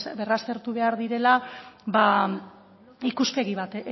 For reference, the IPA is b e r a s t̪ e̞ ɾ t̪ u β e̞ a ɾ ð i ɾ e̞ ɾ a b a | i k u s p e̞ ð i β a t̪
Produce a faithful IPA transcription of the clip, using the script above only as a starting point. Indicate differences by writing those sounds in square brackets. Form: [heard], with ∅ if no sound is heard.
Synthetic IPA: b e r a s t̪ e̞ ɾ t̪ u β e̞ a ɾ ð i ɾ e̞ [l] a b a | i k u s p e̞ [ɣ] i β a t̪